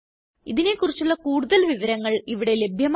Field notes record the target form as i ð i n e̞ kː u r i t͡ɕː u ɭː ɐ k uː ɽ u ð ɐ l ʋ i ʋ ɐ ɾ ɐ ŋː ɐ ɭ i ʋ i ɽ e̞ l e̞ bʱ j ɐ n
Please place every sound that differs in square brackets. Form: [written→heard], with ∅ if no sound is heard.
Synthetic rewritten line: i ð i n e̞ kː u r i t͡ɕː u ɭː ɐ k uː ɽ u ð ɐ l ʋ i ʋ ɐ ɾ ɐ ŋː ɐ ɭ i ʋ i ɽ e̞ l e̞ bʱ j ɐ [n→m]